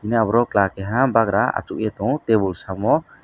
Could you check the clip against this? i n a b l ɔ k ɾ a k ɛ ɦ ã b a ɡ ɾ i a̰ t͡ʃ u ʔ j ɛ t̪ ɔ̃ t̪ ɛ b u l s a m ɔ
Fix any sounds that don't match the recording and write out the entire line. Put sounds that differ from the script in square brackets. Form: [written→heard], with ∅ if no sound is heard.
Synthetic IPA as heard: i n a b [l→ɾ] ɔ k [ɾ→l] a k ɛ ɦ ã b a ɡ ɾ [i→a] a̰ t͡ʃ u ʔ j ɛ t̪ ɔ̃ t̪ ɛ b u l s a m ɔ